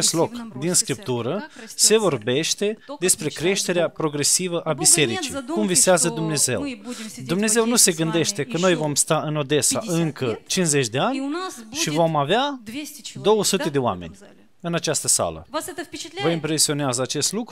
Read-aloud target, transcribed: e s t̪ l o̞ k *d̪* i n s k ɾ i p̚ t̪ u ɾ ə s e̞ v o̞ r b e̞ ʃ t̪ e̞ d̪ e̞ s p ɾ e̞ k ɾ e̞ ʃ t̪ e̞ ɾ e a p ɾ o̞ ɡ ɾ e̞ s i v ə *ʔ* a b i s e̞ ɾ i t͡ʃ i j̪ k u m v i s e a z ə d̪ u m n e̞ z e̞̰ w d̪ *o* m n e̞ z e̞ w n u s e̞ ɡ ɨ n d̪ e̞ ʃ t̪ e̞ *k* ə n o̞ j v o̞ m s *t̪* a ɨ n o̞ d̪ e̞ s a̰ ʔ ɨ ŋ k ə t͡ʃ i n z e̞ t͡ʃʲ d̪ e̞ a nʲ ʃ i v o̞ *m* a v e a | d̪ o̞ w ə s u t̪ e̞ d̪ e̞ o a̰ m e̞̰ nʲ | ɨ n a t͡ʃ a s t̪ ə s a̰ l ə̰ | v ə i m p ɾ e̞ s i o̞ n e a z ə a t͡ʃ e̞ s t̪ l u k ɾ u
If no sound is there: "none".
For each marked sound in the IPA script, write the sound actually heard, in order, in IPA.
d̪, ʔ, u, k, t̪, m

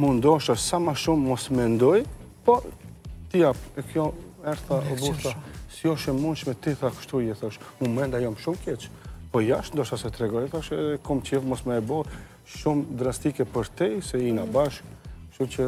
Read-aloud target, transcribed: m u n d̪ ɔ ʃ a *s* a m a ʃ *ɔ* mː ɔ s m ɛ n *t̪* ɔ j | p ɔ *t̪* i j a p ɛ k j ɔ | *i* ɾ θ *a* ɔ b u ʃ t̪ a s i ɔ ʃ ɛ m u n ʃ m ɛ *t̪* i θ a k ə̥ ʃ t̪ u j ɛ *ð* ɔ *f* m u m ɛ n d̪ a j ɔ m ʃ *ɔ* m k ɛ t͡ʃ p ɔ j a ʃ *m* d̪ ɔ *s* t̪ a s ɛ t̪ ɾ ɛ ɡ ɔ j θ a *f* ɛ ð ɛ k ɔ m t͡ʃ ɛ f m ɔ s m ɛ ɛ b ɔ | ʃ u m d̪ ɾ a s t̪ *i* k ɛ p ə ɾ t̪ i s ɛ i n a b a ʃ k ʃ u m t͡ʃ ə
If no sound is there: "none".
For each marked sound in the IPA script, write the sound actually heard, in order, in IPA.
s, u, d̪, t̪, ɛ, a, t̪, θ, ʃ, u, n, ʃ, ʃ, i

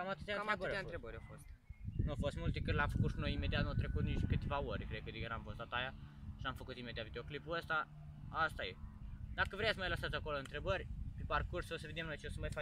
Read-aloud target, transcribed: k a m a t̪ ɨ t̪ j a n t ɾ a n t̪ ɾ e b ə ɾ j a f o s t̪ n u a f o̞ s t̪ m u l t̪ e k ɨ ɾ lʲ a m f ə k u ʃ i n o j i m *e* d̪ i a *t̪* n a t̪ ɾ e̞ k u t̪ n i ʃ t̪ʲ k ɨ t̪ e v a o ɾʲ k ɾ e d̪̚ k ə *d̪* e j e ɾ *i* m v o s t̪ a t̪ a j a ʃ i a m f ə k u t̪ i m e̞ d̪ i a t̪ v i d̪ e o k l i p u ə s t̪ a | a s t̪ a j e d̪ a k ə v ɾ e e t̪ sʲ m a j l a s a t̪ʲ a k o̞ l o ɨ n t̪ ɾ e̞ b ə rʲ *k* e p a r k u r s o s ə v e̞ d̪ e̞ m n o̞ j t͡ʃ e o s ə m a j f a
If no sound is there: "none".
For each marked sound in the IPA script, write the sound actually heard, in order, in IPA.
e, t̪, d̪, a, p

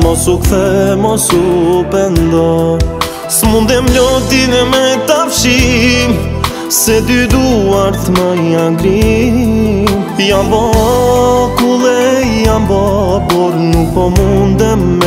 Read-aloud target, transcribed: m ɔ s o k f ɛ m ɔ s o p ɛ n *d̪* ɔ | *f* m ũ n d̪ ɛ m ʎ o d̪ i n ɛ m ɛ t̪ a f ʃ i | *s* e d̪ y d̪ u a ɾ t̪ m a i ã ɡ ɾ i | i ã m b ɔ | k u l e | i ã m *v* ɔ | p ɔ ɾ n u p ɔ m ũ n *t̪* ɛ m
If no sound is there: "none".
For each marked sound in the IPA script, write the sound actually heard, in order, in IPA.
d̪, s, s, b, d̪

